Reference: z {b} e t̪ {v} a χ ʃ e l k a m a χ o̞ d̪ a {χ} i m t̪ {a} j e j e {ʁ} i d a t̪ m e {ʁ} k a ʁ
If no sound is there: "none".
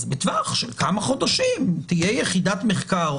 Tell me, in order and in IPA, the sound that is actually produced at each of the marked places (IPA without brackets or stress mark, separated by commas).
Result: b, v, ʃ, i, χ, χ